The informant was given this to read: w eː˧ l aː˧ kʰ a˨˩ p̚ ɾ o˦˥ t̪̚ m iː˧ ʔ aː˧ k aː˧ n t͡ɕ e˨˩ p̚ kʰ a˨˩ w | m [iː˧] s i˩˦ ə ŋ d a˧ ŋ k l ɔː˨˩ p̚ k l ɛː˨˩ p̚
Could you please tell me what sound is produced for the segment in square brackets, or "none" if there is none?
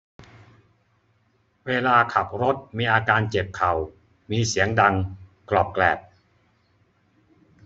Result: iː˧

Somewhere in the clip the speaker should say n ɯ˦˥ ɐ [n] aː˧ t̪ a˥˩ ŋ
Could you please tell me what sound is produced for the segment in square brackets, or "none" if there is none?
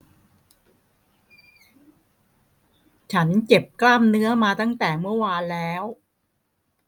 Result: m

